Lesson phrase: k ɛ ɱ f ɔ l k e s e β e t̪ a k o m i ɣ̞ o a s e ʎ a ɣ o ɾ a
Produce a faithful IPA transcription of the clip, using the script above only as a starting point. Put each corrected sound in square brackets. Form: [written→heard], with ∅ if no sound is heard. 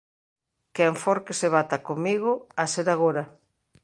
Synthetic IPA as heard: k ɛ ɱ f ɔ [l→ɾ] k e s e β [e→a] t̪ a k o m i ɣ̞ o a s e [ʎ→ɾ] a ɣ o ɾ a